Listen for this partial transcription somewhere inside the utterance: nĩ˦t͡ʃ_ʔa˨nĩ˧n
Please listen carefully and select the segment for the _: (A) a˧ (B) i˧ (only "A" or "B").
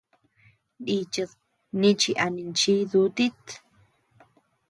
B